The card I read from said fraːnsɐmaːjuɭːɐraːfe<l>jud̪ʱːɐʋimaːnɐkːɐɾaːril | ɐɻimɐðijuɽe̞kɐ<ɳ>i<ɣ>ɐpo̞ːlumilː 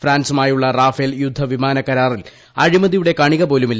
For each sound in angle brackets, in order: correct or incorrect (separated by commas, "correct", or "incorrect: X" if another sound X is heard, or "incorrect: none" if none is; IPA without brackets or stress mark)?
correct, correct, correct